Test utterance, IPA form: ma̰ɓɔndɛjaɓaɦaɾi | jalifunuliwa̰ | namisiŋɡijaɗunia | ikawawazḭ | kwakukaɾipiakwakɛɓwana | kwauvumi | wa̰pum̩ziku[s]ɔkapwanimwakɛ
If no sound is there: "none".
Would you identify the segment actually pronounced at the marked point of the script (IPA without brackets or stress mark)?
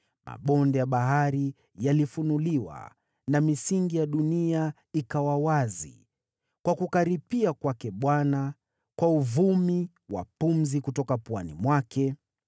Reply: t